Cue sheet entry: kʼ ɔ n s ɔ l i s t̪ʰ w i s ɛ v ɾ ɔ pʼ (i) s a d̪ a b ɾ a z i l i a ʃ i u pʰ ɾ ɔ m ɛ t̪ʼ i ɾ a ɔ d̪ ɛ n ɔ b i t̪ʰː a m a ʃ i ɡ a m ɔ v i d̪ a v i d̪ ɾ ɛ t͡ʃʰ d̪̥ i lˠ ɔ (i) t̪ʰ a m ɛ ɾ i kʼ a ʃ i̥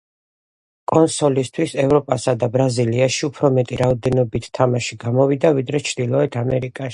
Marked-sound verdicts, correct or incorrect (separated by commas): incorrect, incorrect